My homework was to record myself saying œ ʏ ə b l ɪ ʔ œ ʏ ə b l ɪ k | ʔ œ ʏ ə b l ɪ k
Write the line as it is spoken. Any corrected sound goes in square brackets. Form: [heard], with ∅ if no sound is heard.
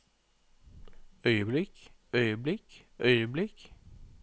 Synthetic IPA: œ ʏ ə b l ɪ [k] œ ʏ ə b l ɪ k | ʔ œ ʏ ə b l ɪ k